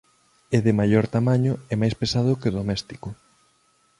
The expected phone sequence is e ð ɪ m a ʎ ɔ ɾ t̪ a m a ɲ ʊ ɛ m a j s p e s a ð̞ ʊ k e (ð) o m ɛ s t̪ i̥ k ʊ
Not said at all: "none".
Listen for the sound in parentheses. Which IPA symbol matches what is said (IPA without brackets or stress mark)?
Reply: ð